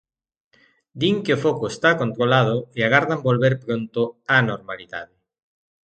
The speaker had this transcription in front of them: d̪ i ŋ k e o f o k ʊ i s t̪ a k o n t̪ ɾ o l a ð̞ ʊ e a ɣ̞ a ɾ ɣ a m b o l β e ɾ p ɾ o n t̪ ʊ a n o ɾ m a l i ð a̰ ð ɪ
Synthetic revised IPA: d̪ i ŋ k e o f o k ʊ e s t̪ a k o n t̪ ɾ o l a ð̞ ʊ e a ɣ̞ a ɾ ð a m b o l β e ɾ p ɾ o n t̪ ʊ a n o ɾ m a l i ð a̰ ð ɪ

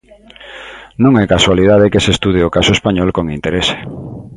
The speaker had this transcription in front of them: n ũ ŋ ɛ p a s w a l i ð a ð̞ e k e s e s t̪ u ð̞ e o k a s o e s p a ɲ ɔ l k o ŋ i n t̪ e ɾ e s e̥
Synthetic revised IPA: n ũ ŋ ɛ k a s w a l i ð a ð̞ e k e s e s t̪ u ð̞ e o k a s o e s p a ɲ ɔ l k o ŋ i n t̪ e ɾ e s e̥

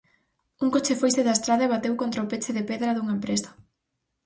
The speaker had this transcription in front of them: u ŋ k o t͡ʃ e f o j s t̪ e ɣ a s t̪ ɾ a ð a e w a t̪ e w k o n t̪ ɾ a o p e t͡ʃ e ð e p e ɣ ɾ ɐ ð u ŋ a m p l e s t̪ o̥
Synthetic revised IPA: u ŋ k o t͡ʃ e f o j s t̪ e ð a s t̪ ɾ a ð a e β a t̪ e w k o n t̪ ɾ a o p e t͡ʃ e ð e p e ð ɾ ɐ ð u ŋ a m p ɾ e s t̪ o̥

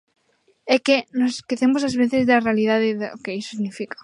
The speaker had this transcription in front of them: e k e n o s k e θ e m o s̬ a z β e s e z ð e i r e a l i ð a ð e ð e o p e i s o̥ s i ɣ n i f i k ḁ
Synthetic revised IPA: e k e n o s k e θ e m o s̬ a z β e θ e z ð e a r e a l i ð a ð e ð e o k e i s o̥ s i ɣ n i f i k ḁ

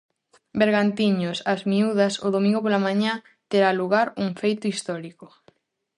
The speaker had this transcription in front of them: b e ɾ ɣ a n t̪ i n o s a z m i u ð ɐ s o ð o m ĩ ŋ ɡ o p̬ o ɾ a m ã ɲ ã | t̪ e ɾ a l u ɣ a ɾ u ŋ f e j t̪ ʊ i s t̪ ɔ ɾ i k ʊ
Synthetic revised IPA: b e ɾ ɣ a n t̪ i ɲ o s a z m i u ð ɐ s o ð o m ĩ ŋ ɡ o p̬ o l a m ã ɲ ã | t̪ e ɾ a l u ɣ a ɾ u ŋ f e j t̪ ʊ i s t̪ ɔ ɾ i k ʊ

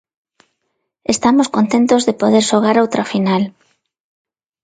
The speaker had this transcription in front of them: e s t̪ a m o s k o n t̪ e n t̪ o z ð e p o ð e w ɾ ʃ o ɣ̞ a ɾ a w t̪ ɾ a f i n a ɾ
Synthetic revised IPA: e s t̪ a m o s k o n t̪ e n t̪ o z ð e p o ð e ɾ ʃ o ɣ̞ a ɾ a w t̪ ɾ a f i n a l

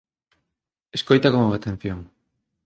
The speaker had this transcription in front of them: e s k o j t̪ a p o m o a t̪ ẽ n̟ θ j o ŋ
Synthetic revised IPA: e s k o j t̪ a k o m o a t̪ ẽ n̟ θ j o ŋ

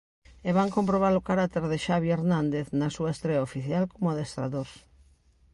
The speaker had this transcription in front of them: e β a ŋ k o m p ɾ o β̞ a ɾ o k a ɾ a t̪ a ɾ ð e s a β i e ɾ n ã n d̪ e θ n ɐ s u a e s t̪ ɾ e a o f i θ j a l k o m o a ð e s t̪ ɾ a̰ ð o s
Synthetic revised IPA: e β a ŋ k o m p ɾ o β̞ a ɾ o k a ɾ a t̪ e ɾ ð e ʃ a β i e ɾ n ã n d̪ e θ n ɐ s u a e s t̪ ɾ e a o f i θ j a l k o m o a ð e s t̪ ɾ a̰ ð o s

